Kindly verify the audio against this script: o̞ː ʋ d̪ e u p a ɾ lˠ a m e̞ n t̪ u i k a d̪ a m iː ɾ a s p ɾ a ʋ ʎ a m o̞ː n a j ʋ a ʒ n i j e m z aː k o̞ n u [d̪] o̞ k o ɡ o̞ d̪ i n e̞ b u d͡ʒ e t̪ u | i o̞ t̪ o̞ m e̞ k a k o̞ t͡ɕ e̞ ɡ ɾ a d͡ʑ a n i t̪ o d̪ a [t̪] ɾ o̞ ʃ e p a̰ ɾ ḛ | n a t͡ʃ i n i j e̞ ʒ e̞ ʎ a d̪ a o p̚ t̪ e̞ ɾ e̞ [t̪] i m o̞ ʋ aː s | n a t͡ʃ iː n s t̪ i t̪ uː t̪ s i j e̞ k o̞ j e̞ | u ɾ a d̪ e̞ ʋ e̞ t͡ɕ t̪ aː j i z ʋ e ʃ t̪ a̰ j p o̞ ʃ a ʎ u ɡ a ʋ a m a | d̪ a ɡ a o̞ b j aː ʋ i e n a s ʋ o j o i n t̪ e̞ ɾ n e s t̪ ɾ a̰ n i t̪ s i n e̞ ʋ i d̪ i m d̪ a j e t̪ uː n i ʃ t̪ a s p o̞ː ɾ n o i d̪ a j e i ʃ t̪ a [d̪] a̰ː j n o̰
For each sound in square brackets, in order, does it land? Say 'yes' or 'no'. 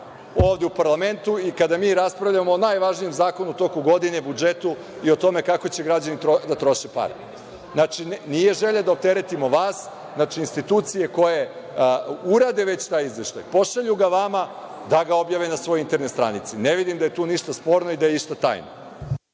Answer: no, yes, yes, no

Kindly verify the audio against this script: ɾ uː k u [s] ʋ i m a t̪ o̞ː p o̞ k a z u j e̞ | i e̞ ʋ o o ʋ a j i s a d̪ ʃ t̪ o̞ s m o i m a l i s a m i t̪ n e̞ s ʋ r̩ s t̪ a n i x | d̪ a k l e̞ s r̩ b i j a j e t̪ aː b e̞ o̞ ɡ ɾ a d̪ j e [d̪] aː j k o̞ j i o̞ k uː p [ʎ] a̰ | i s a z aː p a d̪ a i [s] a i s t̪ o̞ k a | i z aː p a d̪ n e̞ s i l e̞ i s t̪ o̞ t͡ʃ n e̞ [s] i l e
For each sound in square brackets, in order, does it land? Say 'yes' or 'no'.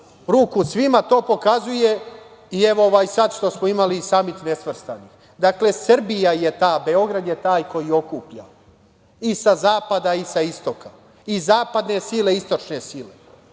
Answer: yes, no, yes, yes, yes

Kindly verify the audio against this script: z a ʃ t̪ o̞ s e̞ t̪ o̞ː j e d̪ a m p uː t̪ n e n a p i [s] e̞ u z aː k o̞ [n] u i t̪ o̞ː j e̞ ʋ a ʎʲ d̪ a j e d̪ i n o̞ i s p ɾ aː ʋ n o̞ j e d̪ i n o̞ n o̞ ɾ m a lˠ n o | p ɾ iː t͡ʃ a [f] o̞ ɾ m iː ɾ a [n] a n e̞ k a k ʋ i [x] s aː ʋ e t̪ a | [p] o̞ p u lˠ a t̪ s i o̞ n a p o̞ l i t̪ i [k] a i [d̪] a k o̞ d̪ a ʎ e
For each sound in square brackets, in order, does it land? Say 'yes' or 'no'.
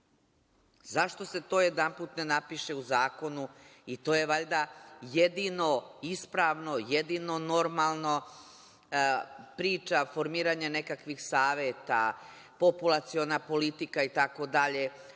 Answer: no, yes, yes, no, yes, yes, yes, no

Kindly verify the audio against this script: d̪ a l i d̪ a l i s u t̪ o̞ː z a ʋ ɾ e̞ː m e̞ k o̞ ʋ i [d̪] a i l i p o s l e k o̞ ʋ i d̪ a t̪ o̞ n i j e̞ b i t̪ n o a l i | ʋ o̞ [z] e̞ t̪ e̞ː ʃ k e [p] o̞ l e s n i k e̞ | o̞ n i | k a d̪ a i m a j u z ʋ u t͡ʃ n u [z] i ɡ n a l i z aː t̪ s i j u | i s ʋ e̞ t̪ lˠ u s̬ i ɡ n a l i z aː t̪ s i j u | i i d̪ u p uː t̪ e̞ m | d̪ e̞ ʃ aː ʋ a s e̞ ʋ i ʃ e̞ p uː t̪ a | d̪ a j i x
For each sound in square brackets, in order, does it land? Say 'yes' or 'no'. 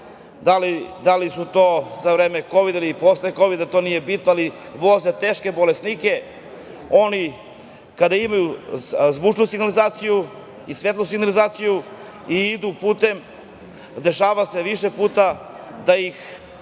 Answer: yes, yes, no, no

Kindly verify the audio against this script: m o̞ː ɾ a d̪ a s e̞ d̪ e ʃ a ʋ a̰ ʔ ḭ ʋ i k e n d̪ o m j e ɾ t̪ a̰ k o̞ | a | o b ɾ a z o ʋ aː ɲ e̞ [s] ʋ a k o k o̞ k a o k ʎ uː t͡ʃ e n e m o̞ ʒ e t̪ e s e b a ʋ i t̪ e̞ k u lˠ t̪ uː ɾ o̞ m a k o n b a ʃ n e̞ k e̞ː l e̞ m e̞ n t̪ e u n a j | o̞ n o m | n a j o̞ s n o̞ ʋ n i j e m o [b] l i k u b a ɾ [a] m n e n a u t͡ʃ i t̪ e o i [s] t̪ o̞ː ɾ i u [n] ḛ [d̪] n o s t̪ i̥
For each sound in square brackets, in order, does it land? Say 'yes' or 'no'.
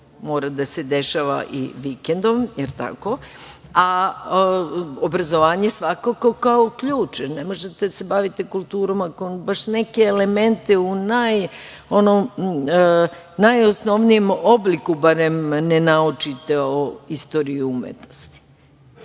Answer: yes, yes, no, yes, no, no

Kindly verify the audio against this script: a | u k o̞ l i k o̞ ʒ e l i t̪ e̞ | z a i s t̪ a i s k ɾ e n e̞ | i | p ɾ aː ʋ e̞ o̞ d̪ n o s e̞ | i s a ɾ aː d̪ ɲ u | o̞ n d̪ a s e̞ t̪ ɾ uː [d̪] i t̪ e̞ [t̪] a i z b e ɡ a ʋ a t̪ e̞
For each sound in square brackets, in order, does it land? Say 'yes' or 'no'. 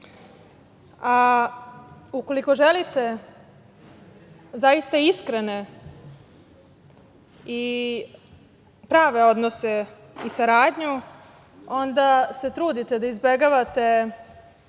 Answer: yes, no

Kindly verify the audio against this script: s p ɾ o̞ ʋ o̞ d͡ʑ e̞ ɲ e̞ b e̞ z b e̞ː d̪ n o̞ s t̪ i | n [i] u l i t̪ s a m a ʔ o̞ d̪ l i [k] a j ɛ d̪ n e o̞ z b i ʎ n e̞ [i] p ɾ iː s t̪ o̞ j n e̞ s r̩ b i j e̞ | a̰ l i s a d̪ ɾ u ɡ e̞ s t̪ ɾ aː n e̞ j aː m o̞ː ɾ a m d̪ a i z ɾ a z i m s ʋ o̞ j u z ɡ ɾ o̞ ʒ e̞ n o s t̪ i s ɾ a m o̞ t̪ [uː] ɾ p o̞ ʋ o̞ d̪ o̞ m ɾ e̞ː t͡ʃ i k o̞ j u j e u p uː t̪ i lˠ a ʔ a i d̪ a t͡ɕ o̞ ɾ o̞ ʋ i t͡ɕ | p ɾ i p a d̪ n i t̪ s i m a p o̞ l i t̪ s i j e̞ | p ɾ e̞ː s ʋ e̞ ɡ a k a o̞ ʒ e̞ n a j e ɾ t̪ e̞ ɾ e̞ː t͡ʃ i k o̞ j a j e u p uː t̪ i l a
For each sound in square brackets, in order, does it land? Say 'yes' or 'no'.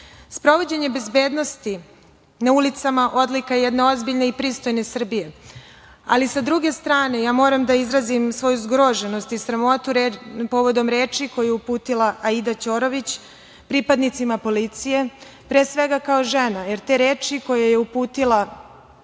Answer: no, yes, yes, no

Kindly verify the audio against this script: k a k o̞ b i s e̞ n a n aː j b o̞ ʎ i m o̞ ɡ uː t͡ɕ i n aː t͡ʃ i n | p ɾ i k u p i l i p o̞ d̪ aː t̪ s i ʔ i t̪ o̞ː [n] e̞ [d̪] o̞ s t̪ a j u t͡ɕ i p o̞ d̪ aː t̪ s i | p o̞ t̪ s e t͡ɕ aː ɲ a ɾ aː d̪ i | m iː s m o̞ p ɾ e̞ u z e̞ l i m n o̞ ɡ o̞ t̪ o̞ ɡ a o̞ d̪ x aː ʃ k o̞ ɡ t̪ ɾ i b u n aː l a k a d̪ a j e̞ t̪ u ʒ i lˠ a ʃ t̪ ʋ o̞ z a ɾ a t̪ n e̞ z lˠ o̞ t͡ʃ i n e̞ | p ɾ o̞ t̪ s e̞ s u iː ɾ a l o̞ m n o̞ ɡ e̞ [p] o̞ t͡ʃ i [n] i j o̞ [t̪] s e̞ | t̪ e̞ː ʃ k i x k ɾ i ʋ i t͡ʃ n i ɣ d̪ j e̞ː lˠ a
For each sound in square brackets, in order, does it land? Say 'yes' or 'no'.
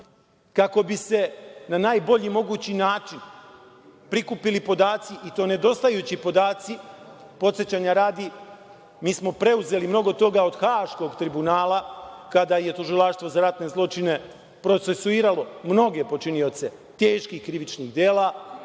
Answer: yes, yes, yes, yes, yes

